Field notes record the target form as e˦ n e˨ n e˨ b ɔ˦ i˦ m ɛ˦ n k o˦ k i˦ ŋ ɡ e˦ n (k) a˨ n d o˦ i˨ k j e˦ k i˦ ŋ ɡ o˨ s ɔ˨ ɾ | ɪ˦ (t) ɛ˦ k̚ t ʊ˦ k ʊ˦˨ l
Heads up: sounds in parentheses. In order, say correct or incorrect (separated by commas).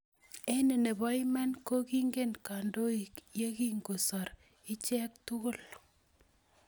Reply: correct, incorrect